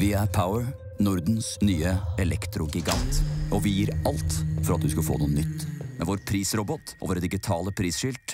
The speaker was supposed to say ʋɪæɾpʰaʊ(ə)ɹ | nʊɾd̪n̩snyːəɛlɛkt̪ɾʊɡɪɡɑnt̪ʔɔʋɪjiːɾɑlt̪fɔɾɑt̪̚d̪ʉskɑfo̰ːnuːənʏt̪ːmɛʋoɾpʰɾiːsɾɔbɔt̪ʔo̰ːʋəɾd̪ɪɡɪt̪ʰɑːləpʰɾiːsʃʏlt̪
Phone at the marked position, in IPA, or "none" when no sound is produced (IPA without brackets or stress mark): ə